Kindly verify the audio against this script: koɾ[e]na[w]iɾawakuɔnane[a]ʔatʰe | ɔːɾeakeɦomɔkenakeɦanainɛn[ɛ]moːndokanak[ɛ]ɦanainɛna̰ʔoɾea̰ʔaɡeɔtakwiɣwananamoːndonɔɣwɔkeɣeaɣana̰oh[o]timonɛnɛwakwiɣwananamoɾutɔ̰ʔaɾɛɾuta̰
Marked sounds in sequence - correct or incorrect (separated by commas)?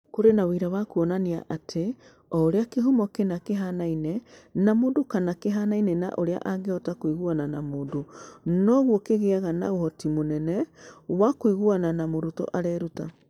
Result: correct, correct, correct, incorrect, incorrect, incorrect